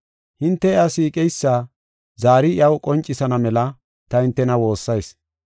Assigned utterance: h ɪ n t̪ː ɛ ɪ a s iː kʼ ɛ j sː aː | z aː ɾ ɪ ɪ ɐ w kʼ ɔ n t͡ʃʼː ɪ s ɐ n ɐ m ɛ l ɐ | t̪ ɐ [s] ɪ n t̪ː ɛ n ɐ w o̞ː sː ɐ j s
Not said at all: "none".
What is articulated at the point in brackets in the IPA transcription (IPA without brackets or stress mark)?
h